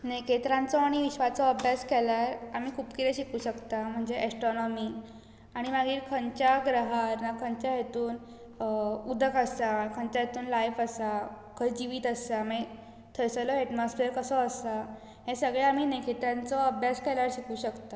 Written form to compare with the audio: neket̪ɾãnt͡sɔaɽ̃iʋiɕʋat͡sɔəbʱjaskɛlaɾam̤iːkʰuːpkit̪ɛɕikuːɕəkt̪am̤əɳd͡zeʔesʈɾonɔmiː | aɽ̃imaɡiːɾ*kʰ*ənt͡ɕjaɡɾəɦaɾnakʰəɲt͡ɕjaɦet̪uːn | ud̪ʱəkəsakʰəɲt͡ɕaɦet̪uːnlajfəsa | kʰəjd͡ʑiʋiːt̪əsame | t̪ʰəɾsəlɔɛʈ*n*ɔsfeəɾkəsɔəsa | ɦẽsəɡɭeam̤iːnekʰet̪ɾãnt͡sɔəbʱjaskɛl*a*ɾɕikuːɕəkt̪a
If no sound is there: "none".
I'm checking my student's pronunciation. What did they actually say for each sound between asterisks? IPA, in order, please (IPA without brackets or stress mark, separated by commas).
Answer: kʰ, m, a